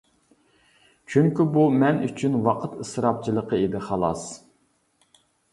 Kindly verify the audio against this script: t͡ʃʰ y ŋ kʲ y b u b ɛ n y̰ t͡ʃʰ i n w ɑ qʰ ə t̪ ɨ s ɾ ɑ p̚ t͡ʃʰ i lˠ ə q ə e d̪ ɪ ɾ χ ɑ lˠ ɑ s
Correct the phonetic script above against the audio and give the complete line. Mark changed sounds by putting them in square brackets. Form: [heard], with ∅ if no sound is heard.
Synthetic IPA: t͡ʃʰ y ŋ kʲ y b u [m] ɛ n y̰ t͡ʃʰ [y] n w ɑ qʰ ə t̪ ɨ s ɾ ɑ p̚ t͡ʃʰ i lˠ ə q ə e d̪ ɪ [∅] χ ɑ lˠ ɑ s